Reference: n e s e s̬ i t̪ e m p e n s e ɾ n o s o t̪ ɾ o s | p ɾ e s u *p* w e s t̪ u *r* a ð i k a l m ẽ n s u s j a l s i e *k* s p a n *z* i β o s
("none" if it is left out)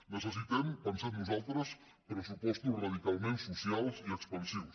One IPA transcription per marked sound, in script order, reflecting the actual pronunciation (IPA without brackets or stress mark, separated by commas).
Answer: p, r, k, s